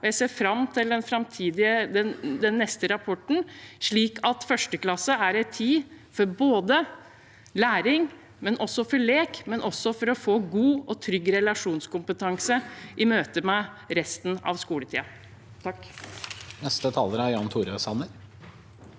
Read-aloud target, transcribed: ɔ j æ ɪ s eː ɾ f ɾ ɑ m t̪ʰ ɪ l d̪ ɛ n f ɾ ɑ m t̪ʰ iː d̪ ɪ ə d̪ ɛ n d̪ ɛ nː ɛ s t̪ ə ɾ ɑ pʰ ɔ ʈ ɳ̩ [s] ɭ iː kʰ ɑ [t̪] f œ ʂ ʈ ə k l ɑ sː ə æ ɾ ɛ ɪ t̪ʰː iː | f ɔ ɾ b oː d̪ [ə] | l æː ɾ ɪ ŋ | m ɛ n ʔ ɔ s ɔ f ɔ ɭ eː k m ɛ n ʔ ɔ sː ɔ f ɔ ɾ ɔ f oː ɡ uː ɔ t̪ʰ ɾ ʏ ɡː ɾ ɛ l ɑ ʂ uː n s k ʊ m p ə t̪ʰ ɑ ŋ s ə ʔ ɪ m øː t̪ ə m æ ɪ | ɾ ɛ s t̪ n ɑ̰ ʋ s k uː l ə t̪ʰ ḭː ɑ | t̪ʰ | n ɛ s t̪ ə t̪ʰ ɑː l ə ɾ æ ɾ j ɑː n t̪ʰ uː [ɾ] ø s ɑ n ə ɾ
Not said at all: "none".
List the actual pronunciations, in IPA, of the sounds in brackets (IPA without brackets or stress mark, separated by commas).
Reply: ʂ, t̪, ə, ɾ